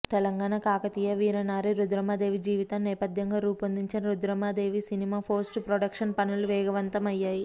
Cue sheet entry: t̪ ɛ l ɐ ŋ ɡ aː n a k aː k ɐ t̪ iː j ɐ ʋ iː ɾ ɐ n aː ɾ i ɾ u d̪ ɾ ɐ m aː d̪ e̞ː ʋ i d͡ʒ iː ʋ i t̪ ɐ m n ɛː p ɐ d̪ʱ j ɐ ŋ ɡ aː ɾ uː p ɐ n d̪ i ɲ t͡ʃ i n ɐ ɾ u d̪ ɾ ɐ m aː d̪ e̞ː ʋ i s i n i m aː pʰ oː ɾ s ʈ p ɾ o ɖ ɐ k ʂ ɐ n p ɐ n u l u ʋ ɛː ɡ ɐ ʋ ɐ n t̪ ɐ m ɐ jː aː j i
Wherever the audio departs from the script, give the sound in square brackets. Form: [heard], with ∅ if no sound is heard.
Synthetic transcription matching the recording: t̪ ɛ l ɐ ŋ ɡ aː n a k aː k ɐ t̪ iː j ɐ ʋ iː ɾ ɐ n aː ɾ i ɾ u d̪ ɾ ɐ m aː d̪ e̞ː ʋ i d͡ʒ iː ʋ i t̪ ɐ m n ɛː p ɐ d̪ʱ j ɐ ŋ ɡ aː ɾ uː p ɐ n d̪ i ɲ t͡ʃ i n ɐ ɾ u d̪ ɾ ɐ m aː d̪ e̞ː ʋ i s i n i m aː pʰ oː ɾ s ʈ p ɾ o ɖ ɐ k ʂ ɐ n p ɐ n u l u ʋ ɛː ɡ ɐ ʋ ɐ n t̪ ɐ m ɐ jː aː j i